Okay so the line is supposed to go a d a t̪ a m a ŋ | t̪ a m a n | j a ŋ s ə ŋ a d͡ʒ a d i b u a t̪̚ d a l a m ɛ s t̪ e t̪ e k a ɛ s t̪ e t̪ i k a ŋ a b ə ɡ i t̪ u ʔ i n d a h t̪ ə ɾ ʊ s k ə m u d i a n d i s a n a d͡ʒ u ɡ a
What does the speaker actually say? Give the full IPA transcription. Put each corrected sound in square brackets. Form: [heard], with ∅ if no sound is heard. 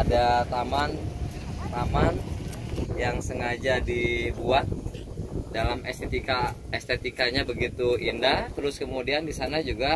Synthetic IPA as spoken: a d a t̪ a m a [n] | t̪ a m a n | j a ŋ s ə ŋ a d͡ʒ a d i b u a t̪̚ d a l a m ɛ s t̪ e t̪ [i] k a ɛ s t̪ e t̪ i k a [ɲ] a b ə ɡ i t̪ u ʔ i n d a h t̪ ə ɾ ʊ s k ə m u d i a n d i s a n a d͡ʒ u ɡ a

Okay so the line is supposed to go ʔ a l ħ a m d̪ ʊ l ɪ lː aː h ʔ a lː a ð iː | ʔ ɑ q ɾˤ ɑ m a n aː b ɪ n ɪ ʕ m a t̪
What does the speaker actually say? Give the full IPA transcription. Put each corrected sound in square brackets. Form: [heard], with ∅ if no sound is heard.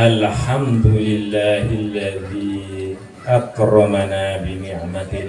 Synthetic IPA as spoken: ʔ a l ħ a m d̪ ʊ l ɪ lː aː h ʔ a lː a ð iː | ʔ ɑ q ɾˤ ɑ m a n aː b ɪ n ɪ ʕ m a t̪

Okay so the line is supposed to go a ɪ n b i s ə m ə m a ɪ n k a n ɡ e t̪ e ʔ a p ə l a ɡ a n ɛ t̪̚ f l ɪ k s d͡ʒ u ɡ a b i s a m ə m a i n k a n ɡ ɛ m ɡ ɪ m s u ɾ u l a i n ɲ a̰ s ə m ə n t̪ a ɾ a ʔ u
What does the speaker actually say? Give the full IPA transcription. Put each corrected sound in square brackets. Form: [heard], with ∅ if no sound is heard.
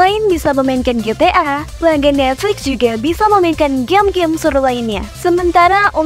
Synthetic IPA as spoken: a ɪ n b i s [a] m ə m a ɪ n k a n ɡ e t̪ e ʔ a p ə l a ɡ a n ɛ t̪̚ f l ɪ k s d͡ʒ u ɡ a b i s a m ə m a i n k a n ɡ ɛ m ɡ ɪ m s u ɾ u l a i n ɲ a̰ s ə m ə n t̪ a ɾ a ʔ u

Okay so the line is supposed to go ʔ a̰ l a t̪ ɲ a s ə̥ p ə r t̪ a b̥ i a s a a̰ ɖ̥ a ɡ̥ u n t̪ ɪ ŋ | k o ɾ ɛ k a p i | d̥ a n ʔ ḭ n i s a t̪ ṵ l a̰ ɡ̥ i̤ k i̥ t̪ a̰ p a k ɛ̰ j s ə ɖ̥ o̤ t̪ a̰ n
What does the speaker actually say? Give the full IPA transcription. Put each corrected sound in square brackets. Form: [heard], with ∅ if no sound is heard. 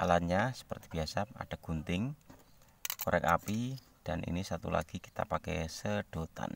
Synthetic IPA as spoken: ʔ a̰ l a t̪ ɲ a s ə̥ p ə r t̪ [i] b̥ i a s a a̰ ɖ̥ a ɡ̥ u n t̪ ɪ ŋ | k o ɾ ɛ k a p i | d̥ a n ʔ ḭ n i s a t̪ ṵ l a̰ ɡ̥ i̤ k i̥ t̪ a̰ p a k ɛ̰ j s ə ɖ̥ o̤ t̪ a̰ n

